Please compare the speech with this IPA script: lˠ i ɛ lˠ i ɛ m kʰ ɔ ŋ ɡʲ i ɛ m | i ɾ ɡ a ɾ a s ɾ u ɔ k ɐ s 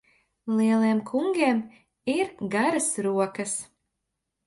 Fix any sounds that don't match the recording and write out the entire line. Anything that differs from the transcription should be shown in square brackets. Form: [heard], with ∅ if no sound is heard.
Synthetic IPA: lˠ i ɛ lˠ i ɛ m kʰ [u] ŋ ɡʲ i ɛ m | i ɾ ɡ a ɾ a s ɾ u ɔ k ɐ s